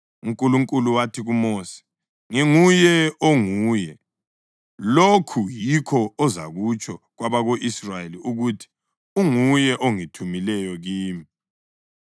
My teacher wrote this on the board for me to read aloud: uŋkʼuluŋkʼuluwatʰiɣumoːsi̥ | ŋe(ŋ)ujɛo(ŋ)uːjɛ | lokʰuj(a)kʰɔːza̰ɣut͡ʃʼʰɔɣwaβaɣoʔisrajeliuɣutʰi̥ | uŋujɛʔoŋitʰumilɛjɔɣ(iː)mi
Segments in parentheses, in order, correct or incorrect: correct, correct, incorrect: i, correct

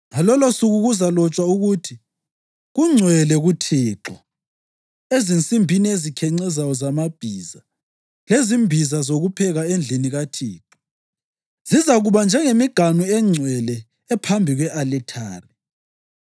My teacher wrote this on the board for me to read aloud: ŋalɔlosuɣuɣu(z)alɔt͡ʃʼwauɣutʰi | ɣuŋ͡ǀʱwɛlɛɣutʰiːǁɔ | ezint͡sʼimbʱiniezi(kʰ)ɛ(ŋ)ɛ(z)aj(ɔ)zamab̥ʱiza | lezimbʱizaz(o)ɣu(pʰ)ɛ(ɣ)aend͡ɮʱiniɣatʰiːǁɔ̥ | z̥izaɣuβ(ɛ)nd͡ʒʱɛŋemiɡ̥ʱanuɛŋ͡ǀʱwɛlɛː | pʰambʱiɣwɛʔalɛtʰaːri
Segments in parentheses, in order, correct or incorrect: correct, correct, incorrect: ŋ͡ǀ, correct, correct, correct, correct, correct, incorrect: a

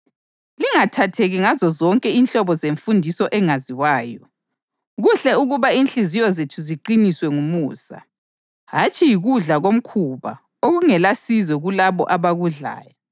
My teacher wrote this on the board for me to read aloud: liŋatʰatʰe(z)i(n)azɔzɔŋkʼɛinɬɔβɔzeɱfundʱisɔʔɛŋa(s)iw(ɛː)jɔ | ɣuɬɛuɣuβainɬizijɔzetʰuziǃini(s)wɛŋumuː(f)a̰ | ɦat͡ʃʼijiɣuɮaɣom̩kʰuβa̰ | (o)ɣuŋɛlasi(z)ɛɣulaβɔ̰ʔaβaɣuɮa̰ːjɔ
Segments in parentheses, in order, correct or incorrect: incorrect: ɣ, incorrect: ŋ, incorrect: z, incorrect: aː, correct, incorrect: s, correct, correct

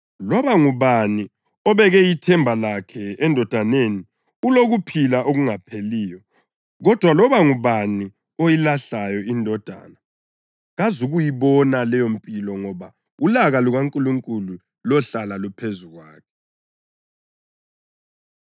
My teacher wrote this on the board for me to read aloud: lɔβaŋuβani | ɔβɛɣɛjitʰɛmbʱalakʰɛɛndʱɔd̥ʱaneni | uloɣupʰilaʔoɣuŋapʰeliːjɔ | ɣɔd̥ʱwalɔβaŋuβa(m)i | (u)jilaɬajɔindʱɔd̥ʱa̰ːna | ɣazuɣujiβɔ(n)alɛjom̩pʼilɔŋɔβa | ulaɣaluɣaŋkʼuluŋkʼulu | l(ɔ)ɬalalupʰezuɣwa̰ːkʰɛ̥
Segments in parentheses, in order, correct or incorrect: incorrect: n, incorrect: o, correct, correct

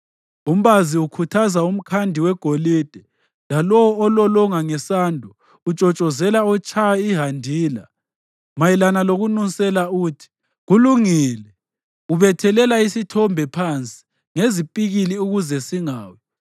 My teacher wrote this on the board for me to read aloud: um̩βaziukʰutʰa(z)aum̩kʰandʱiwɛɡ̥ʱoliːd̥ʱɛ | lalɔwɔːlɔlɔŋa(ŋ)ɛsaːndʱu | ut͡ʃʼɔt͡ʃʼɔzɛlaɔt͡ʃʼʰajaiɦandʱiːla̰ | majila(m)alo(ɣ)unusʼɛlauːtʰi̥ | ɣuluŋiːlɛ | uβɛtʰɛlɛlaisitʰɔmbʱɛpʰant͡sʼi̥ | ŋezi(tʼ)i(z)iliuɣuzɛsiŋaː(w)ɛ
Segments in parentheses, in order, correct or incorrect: correct, correct, incorrect: n, correct, incorrect: pʼ, incorrect: ɣ, correct

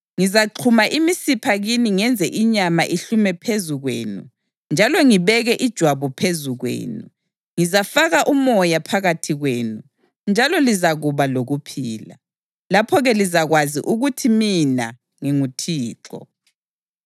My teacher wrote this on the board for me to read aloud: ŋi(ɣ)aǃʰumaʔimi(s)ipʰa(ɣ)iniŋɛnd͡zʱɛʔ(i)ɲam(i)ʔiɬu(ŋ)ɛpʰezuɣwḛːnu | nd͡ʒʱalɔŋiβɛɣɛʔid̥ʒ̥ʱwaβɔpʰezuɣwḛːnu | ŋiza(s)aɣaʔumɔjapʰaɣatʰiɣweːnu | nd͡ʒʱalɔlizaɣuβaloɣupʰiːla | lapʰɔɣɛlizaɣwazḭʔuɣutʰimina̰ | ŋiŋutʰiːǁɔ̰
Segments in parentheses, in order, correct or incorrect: incorrect: z, correct, correct, correct, incorrect: a, incorrect: m, incorrect: f

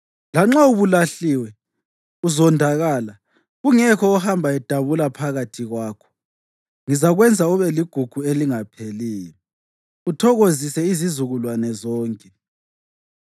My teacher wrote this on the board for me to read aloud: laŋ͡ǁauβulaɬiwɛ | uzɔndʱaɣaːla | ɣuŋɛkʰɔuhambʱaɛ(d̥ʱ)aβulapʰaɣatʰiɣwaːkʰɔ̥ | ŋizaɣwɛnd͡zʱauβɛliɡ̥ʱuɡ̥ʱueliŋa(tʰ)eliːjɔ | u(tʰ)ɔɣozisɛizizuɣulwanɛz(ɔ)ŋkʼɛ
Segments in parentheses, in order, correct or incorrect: correct, incorrect: pʰ, correct, incorrect: ɔː

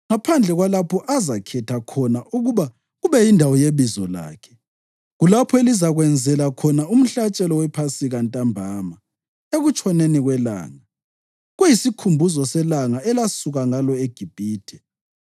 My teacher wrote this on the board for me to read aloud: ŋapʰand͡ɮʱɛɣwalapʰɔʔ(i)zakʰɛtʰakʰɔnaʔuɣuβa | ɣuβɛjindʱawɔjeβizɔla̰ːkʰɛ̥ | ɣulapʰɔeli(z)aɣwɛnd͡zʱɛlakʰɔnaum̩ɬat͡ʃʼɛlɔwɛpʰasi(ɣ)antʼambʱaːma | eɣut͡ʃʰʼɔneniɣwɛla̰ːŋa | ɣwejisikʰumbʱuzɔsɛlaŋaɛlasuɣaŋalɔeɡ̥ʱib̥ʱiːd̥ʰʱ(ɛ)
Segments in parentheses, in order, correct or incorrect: incorrect: a, correct, correct, correct

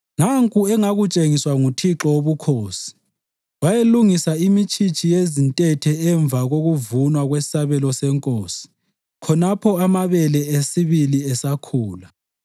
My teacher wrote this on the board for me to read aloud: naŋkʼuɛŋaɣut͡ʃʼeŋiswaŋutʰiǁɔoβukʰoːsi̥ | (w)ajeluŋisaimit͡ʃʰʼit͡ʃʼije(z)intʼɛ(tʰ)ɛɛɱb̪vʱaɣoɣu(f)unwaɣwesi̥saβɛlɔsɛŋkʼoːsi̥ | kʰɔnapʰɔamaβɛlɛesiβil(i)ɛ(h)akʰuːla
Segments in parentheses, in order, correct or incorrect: correct, correct, correct, incorrect: v, correct, incorrect: s

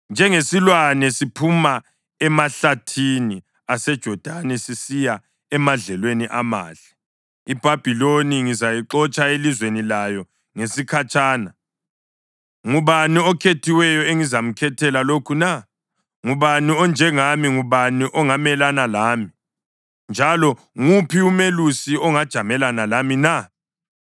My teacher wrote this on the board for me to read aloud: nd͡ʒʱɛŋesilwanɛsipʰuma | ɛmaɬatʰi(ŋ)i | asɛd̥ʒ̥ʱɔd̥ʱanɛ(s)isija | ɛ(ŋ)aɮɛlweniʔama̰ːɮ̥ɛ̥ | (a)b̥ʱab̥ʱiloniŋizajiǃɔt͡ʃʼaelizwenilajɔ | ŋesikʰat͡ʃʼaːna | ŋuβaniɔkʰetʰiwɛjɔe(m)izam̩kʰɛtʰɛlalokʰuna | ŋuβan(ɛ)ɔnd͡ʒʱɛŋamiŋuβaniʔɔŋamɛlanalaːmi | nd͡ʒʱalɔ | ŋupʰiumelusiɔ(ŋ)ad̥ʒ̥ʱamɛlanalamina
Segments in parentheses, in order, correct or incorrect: incorrect: n, correct, incorrect: m, incorrect: i, incorrect: ŋ, incorrect: i, correct

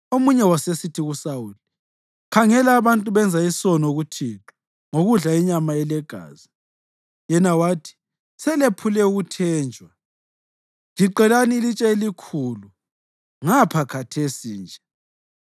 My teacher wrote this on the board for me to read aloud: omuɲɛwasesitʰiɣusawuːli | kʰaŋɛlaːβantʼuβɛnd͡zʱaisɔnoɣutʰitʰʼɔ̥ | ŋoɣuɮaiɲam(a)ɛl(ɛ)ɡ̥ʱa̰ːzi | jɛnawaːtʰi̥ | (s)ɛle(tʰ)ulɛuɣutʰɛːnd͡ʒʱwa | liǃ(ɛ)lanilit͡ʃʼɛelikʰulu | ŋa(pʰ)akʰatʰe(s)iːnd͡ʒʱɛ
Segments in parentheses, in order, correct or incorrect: correct, correct, correct, incorrect: pʰ, correct, correct, correct

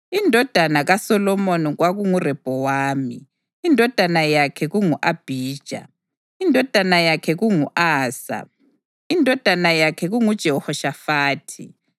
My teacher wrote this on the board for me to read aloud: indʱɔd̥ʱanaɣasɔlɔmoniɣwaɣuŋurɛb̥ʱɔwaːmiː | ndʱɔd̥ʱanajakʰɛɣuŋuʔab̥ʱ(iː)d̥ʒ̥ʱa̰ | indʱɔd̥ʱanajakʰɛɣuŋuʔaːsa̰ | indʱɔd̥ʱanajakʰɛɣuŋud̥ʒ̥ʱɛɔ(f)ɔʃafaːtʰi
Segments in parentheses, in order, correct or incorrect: correct, incorrect: h

